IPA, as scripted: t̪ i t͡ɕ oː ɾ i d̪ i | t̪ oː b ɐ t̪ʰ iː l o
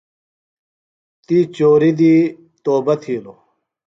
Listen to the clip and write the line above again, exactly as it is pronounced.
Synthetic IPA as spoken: t̪ i t͡ɕ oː ɾ i d̪ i | t̪ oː b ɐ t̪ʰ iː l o